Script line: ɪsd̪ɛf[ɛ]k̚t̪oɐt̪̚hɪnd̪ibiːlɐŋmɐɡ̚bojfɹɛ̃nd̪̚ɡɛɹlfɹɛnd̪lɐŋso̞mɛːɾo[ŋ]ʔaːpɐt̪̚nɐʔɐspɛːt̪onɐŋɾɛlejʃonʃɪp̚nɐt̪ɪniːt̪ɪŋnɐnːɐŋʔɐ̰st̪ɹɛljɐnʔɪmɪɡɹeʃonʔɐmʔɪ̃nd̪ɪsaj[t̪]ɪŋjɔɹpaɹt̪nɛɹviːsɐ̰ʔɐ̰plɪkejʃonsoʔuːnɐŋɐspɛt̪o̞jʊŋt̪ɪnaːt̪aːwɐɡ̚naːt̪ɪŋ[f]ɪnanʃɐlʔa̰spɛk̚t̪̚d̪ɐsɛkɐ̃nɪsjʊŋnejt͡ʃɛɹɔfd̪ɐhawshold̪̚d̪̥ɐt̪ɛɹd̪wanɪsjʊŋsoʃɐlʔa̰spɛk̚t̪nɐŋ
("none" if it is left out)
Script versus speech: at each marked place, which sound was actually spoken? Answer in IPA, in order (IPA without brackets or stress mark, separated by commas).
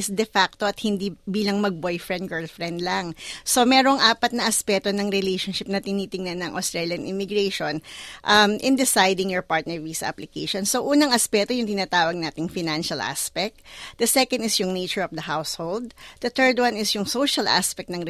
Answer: a, ŋ, d̪, f